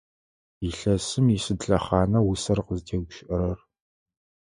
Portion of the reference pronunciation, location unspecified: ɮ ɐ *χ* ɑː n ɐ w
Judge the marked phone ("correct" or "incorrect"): correct